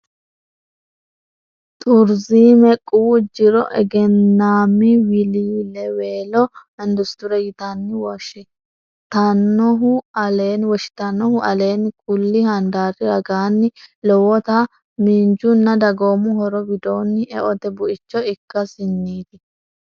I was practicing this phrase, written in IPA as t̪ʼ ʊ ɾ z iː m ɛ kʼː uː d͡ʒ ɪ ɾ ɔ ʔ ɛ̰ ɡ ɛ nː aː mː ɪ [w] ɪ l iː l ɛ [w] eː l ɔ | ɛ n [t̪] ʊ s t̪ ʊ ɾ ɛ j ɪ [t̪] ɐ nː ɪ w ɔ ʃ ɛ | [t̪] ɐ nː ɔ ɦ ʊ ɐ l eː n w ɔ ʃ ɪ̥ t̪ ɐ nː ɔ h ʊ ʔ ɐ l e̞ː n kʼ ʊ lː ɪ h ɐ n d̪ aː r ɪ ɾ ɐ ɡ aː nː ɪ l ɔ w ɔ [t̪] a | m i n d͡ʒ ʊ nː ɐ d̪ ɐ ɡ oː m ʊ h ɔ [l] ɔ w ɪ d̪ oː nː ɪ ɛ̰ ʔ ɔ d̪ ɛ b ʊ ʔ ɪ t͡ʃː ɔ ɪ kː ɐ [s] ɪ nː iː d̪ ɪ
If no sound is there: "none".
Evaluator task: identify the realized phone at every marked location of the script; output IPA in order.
w, w, d̪, t̪, t̪, t̪, ɾ, s

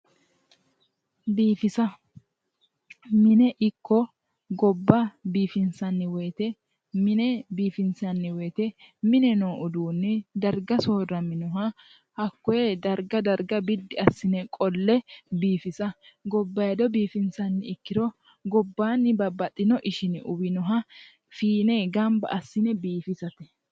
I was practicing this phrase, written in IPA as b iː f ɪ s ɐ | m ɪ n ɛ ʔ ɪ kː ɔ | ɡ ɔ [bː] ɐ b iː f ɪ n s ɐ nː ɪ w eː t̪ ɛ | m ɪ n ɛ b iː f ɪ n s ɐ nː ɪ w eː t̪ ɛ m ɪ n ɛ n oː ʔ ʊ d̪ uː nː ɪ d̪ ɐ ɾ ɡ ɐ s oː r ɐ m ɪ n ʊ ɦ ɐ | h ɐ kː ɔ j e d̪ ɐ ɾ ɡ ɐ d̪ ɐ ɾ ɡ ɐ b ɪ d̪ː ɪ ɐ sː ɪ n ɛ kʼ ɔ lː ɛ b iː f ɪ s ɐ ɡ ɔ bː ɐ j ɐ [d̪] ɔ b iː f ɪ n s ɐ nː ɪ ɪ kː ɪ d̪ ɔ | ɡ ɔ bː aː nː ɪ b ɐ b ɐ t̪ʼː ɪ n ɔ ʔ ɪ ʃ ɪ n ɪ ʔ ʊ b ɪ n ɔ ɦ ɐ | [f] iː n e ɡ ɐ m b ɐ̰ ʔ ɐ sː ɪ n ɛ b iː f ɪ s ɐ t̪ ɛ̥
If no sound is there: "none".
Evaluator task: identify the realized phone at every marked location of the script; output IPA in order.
bː, d̪, f

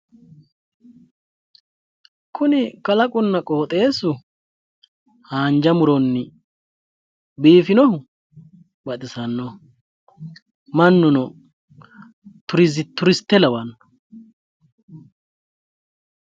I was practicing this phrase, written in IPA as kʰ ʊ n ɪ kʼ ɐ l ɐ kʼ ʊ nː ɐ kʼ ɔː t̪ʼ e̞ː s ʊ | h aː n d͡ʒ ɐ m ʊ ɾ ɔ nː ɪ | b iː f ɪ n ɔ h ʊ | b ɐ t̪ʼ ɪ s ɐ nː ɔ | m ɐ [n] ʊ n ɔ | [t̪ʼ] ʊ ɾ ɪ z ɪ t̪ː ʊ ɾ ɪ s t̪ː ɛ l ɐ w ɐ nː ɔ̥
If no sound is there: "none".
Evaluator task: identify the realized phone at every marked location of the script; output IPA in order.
nː, t̪

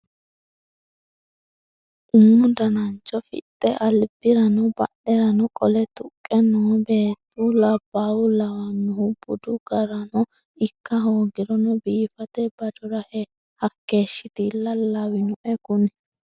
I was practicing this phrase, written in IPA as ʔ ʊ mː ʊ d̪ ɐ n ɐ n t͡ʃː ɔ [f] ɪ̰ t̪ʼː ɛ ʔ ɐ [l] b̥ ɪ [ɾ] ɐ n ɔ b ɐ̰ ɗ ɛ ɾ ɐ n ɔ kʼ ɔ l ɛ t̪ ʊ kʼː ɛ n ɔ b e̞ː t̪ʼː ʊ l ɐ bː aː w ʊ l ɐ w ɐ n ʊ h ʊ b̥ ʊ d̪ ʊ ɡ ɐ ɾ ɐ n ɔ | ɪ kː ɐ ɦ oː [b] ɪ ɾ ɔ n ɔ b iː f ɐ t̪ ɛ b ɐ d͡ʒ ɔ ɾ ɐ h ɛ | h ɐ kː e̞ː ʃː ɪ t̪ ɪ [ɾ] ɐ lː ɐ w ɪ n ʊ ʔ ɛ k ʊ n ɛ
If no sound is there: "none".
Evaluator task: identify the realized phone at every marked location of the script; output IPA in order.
f, l, ɾ, ɡ, l

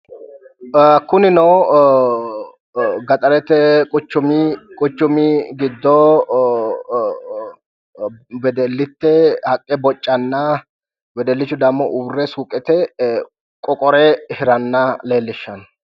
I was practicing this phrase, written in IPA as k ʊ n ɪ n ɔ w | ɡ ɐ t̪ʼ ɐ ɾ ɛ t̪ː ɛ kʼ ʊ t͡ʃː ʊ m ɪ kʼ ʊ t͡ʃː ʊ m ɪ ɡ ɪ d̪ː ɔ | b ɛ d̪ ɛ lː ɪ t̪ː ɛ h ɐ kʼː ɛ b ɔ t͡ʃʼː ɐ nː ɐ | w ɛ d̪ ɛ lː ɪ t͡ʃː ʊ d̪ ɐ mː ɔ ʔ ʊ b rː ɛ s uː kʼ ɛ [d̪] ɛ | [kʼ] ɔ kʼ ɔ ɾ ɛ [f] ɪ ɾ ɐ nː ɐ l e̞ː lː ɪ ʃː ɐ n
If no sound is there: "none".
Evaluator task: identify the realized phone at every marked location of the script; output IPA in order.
t̪, kʼ, h

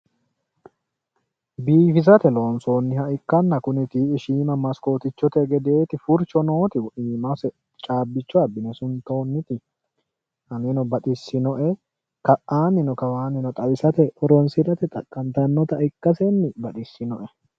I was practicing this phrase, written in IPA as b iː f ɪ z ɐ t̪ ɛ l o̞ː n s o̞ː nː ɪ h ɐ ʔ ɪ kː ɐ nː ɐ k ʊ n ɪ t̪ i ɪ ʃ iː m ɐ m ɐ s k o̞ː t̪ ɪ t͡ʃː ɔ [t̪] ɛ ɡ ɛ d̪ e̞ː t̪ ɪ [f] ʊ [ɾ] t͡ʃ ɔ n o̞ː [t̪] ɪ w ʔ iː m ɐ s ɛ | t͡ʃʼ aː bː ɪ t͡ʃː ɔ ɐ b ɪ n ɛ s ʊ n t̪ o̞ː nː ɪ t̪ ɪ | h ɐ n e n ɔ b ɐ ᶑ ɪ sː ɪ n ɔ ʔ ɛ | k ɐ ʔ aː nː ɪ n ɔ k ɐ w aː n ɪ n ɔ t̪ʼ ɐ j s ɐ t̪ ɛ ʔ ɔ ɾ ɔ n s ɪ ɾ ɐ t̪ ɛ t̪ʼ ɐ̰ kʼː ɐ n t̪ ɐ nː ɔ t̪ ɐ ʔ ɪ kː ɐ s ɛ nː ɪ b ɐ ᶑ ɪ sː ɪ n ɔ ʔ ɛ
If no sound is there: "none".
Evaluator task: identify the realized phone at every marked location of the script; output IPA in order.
t̪, f, ɾ, t̪

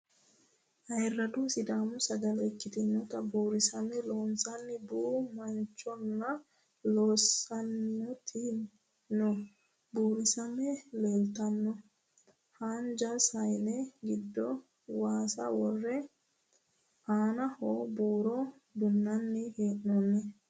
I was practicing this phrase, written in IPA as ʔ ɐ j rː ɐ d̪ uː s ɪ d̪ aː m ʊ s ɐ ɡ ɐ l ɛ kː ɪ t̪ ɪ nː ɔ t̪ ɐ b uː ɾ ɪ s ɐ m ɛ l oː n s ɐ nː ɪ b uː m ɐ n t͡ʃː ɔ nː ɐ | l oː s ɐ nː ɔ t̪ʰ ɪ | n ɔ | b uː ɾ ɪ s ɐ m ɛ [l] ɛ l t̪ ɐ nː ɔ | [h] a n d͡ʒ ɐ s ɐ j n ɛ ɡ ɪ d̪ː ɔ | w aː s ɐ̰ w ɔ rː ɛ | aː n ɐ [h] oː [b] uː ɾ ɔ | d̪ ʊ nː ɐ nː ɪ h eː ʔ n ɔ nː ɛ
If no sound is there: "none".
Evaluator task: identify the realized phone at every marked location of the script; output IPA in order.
l, h, h, b

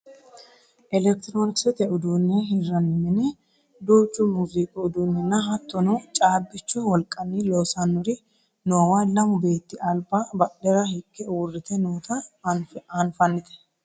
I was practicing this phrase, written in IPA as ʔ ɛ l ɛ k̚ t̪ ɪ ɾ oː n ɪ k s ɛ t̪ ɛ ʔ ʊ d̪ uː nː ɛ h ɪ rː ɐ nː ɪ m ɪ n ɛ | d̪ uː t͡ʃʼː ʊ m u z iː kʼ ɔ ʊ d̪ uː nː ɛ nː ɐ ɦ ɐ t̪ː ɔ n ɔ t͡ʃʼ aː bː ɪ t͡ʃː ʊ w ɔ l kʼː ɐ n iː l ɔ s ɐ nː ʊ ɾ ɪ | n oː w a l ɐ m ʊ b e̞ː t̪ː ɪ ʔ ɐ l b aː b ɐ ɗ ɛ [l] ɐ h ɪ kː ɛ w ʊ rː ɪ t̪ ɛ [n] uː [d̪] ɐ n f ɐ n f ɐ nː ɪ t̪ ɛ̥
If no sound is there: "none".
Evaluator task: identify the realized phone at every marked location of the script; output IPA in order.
ɾ, n, t̪

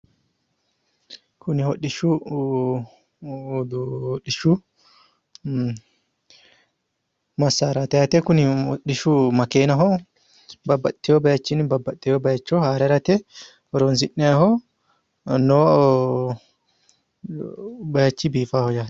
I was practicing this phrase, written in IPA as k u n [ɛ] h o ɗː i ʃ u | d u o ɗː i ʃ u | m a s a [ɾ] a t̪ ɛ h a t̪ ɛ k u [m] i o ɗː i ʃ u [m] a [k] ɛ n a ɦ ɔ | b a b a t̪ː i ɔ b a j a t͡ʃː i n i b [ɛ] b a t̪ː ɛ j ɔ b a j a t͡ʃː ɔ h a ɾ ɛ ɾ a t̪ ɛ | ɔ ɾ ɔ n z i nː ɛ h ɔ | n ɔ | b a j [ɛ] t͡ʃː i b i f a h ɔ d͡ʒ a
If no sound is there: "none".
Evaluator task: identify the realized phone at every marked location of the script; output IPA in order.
i, ɾ, n, m, k, a, a

